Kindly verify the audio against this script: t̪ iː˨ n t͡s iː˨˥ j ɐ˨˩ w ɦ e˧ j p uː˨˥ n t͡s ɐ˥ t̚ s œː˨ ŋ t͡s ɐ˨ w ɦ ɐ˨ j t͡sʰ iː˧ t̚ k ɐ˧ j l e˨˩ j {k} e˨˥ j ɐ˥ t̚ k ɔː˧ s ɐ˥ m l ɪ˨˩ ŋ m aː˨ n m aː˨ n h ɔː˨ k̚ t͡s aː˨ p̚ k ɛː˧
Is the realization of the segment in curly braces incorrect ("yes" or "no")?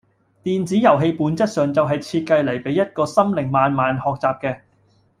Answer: yes